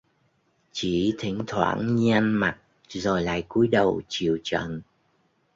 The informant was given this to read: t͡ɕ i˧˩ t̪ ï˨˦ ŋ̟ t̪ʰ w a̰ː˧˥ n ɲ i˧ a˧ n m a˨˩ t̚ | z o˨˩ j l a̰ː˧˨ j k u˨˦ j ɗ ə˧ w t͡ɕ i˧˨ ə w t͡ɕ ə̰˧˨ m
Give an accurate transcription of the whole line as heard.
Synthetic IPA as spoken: t͡ɕ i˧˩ t̪ʰ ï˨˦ ŋ̟ t̪ʰ w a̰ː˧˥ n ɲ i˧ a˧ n m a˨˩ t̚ | z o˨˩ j l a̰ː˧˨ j k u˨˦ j ɗ ə˨˩ w t͡ɕ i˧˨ ə w t͡ɕ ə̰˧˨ n